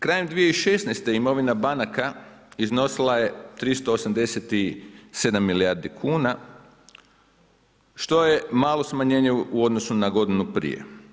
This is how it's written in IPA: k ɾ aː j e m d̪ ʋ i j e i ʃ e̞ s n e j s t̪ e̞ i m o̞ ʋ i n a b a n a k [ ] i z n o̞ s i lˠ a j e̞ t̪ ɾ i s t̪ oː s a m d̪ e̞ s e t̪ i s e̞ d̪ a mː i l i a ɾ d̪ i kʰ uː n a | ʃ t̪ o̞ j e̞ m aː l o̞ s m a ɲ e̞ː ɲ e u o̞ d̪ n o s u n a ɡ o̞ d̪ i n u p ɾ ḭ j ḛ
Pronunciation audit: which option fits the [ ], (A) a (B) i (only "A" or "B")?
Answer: A